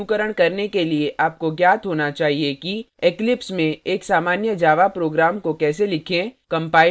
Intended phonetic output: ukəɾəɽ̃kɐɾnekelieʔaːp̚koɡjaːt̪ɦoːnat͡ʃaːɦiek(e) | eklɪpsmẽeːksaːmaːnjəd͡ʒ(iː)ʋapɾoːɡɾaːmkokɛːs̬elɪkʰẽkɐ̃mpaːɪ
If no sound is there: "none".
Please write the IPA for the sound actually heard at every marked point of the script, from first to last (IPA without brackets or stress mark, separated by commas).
i, aː